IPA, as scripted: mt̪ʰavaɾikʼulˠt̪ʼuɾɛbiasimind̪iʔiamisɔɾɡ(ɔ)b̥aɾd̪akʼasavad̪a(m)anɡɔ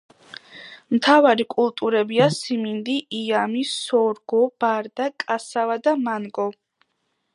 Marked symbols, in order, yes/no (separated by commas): yes, yes